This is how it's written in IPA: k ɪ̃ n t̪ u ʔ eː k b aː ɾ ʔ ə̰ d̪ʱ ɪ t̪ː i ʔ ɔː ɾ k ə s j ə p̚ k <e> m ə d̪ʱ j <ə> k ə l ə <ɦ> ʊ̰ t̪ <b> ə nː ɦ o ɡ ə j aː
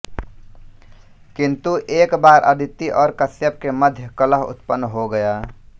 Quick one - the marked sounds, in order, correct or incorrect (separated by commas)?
correct, correct, correct, incorrect